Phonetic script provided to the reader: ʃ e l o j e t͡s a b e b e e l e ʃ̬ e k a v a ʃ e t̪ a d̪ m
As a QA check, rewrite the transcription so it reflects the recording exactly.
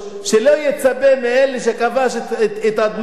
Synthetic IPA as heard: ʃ e l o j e t͡s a b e m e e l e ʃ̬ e k a v a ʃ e t̪ a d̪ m